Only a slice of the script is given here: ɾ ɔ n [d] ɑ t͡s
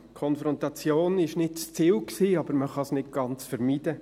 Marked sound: incorrect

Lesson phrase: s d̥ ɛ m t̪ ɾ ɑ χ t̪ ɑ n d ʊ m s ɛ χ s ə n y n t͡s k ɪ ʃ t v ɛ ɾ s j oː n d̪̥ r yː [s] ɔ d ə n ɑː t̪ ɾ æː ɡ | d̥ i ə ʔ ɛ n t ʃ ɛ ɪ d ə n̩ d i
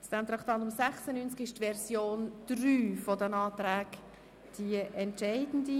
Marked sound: incorrect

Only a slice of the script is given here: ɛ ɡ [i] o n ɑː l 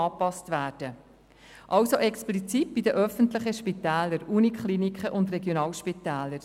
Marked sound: incorrect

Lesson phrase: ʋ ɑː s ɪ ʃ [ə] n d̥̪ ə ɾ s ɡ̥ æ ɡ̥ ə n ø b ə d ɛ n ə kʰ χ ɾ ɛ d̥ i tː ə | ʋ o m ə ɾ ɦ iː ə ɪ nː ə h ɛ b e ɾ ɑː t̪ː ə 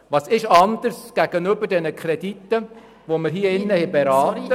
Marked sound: incorrect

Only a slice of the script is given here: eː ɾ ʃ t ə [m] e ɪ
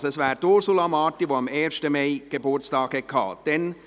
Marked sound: correct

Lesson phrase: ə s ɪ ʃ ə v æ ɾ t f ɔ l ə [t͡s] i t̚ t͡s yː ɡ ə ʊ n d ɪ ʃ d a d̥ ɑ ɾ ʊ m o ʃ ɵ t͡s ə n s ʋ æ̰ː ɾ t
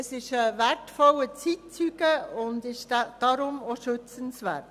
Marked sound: correct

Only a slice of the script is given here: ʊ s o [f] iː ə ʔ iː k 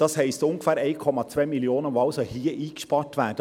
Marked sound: incorrect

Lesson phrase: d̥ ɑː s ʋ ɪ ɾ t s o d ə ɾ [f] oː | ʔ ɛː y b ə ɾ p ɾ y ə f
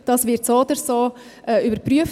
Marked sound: incorrect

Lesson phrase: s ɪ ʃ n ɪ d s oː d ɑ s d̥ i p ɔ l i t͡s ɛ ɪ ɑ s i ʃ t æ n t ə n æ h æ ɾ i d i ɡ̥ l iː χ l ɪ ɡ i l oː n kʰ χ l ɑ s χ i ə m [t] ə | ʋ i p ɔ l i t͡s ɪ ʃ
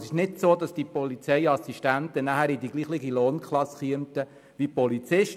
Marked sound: correct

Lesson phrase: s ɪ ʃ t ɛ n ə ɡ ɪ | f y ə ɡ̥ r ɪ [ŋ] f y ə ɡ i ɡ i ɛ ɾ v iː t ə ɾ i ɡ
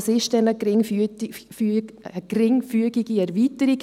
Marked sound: correct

